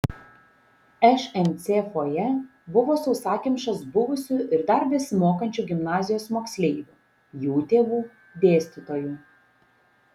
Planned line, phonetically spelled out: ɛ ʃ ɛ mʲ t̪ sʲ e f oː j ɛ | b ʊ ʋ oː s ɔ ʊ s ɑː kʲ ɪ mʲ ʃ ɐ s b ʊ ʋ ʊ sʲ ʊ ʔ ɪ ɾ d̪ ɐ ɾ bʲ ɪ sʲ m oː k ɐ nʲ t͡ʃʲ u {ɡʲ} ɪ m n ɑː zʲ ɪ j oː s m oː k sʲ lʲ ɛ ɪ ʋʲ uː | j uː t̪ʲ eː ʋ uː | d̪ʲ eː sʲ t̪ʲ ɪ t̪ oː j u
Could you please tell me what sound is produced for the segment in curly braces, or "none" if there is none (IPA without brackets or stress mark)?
ɡʲ